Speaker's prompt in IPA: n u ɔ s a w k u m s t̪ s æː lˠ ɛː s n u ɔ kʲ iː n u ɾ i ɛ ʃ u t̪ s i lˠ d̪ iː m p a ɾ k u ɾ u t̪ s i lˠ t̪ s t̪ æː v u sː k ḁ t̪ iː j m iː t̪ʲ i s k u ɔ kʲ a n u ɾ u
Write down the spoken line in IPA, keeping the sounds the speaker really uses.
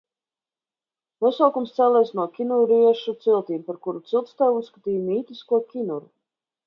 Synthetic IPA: n u ɔ s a w k u m s t̪ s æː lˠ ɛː s n u ɔ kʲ i n u ɾ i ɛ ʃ u t̪ s i lˠ t̪ iː m p a ɾ k u ɾ u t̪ s i lˠ t̪ s t̪ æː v u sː k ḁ t̪ iː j m iː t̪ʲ i s k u ɔ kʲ i n u ɾ u